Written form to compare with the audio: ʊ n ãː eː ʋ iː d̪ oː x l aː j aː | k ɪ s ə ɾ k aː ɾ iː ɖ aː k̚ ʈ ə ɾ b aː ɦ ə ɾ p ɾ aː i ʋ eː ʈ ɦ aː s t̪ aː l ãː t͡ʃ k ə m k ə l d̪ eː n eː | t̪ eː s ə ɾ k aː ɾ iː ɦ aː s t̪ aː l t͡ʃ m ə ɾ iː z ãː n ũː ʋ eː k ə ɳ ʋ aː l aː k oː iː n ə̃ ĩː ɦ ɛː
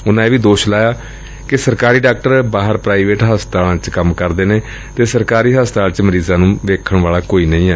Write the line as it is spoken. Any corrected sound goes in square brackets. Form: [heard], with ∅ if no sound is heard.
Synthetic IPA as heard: ʊ n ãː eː ʋ iː d̪ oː [ʃ] l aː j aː | k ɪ s ə ɾ k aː ɾ iː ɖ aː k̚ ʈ ə ɾ b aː ɦ ə ɾ p ɾ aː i ʋ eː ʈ ɦ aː s t̪ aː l ãː t͡ʃ k ə m k ə [ɾ] d̪ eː n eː | t̪ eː s ə ɾ k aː ɾ iː ɦ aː s t̪ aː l t͡ʃ m ə ɾ iː z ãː n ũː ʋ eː [kʰ] ə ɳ ʋ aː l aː k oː iː n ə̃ ĩː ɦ ɛː